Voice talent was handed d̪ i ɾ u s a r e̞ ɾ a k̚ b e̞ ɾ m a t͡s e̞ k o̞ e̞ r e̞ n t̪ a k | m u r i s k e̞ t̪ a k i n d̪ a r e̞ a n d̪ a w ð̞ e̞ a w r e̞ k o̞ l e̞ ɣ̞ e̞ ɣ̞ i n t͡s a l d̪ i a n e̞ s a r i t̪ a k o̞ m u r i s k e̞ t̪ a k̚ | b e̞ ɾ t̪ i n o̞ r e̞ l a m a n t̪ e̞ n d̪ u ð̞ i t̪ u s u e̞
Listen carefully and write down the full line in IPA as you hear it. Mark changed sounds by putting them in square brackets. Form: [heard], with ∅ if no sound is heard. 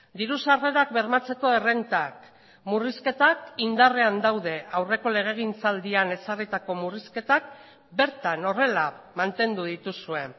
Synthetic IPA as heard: d̪ i ɾ u s a r e̞ ɾ a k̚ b e̞ ɾ m a t͡s e̞ k o̞ e̞ r e̞ n t̪ a k | m u r i s k e̞ t̪ a k i n d̪ a r e̞ a n d̪ a w ð̞ e̞ a w r e̞ k o̞ l e̞ ɣ̞ e̞ ɣ̞ i n t͡s a l d̪ i a n e̞ s a r i t̪ a k o̞ m u r i s k e̞ t̪ a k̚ | b e̞ ɾ t̪ [a] n o̞ r e̞ l a m a n t̪ e̞ n d̪ u ð̞ i t̪ u s u e̞